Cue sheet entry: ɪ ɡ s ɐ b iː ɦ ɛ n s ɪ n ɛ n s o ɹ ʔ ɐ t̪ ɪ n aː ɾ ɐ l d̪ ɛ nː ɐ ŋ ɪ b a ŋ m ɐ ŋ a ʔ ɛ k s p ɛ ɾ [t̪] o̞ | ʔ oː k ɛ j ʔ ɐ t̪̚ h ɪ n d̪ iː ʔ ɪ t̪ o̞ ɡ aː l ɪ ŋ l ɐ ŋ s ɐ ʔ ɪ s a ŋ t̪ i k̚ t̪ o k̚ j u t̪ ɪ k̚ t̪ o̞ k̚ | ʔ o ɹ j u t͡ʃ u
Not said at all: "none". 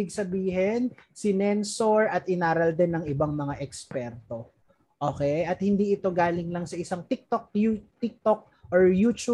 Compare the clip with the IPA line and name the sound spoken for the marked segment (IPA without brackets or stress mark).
t̪